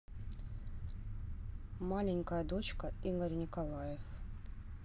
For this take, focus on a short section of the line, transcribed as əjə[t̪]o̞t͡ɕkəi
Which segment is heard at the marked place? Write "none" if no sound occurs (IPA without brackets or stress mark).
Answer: d̪